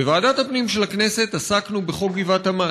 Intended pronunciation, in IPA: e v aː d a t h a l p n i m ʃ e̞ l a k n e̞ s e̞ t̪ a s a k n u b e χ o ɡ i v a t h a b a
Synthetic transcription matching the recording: e v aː d a t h a p n i m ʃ e̞ l a k n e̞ s e̞ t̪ a s a k n u b e χ o ɡ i v a t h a m a